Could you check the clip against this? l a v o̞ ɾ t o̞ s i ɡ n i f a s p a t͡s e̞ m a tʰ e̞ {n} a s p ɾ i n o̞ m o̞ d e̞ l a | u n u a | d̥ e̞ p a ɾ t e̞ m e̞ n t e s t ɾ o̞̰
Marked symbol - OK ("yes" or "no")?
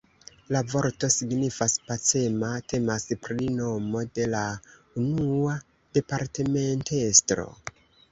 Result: no